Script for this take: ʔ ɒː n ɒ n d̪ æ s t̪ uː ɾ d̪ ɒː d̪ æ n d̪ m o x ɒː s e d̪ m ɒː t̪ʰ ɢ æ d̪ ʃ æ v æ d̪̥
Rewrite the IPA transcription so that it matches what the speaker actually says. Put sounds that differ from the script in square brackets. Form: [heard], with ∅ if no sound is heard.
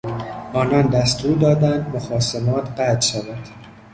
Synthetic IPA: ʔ ɒː n ɒ n d̪ æ s t̪ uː ɾ d̪ ɒː d̪ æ n d̪ m o x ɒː s e [∅] m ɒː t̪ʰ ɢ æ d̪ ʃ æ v æ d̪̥